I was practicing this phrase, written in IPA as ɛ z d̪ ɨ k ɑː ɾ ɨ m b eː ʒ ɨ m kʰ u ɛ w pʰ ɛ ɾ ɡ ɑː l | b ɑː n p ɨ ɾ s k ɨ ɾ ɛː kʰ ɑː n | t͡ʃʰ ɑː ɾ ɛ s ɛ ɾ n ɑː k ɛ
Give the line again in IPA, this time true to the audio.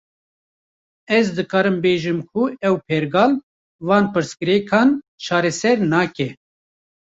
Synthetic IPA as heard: ɛ z d̪ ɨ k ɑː ɾ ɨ m b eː ʒ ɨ m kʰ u ɛ w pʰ ɛ ɾ ɡ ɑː l | v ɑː n p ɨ ɾ s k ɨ ɾ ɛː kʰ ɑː n | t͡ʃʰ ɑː ɾ ɛ s ɛ ɾ n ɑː k ɛ